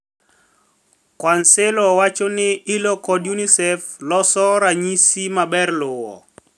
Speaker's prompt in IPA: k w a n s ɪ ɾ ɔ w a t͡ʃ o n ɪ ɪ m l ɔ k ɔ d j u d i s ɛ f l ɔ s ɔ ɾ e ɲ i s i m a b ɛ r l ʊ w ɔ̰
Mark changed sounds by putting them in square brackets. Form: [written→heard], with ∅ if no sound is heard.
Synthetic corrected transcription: k w a n s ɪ [ɾ→l] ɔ w a t͡ʃ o n ɪ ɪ [m→∅] l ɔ k ɔ d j u [d→n] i s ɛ f l ɔ s ɔ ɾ [e→a] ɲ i s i m a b ɛ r l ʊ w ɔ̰